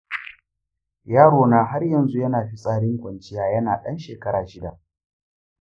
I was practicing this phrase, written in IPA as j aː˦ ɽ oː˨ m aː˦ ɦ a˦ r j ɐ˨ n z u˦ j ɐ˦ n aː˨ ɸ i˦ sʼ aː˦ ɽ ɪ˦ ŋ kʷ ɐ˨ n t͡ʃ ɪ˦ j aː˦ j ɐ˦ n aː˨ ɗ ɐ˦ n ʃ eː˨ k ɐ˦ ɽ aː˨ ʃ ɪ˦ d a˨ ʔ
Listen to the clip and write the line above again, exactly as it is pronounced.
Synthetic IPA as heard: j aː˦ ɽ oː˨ n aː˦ ɦ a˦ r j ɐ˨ n z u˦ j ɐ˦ n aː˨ ɸ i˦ sʼ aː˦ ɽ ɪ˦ ŋ kʷ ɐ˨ n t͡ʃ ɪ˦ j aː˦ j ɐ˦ n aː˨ ɗ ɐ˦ n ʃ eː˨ k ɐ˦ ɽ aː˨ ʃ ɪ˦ d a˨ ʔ